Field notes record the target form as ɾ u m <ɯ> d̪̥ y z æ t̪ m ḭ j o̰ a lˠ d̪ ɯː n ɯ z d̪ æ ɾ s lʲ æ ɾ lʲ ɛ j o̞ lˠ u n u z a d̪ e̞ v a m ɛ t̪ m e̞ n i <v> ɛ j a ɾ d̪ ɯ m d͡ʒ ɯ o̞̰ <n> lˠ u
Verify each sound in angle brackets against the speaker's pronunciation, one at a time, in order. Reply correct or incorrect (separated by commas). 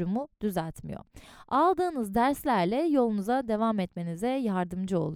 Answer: incorrect, incorrect, incorrect